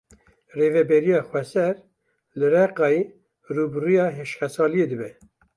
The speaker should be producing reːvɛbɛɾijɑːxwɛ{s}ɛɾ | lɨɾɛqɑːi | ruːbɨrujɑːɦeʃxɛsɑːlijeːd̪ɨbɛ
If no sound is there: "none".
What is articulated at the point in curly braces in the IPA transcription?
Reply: s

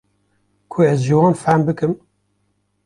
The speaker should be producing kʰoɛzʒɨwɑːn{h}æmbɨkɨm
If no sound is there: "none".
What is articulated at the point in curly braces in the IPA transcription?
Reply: f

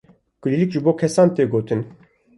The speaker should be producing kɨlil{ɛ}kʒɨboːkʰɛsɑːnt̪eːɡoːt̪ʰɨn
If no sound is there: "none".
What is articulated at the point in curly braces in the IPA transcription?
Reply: i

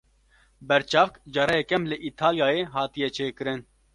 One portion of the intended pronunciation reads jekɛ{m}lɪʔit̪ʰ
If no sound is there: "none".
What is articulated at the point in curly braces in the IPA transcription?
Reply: m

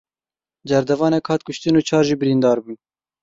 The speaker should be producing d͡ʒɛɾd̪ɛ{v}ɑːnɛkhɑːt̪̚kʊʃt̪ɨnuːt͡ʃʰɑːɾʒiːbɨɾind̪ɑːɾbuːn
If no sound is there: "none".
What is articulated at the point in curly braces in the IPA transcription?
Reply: v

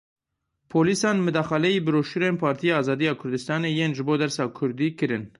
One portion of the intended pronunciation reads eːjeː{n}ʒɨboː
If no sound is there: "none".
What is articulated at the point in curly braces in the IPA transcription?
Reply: n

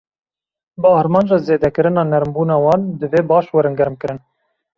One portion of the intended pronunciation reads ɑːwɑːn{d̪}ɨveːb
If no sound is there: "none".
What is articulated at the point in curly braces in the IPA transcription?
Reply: d̪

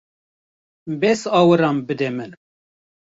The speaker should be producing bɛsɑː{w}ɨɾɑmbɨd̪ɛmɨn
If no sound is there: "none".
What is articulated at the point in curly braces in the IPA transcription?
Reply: w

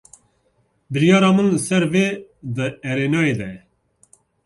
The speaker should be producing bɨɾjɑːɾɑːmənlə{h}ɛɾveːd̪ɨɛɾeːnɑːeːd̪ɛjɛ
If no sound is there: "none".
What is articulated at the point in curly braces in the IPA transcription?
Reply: s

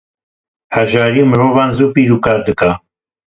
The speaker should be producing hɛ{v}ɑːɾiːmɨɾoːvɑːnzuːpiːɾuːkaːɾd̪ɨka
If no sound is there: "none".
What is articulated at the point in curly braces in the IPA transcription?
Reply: ʒ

